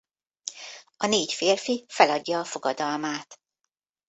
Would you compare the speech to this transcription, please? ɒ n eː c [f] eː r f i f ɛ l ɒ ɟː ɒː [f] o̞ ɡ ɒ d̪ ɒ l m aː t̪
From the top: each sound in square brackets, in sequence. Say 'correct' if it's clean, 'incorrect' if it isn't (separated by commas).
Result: correct, correct